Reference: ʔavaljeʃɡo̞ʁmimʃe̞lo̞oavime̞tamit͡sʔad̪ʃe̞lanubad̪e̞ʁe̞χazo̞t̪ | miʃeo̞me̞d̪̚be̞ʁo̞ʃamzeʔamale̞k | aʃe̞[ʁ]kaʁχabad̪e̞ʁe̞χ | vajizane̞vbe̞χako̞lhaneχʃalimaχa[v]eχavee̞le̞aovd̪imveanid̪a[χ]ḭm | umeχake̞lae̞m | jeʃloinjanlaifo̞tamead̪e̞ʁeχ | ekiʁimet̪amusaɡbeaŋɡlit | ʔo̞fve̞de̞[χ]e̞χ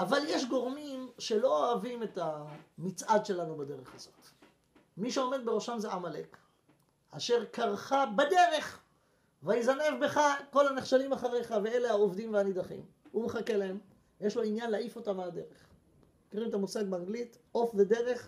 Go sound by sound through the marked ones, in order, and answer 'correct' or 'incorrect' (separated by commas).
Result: correct, incorrect, correct, incorrect